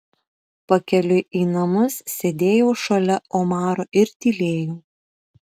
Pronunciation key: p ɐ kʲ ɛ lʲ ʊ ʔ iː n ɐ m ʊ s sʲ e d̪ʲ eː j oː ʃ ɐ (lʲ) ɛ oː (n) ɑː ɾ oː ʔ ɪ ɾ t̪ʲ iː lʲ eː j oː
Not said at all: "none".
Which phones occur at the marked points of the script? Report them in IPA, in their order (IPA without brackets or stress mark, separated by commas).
lʲ, m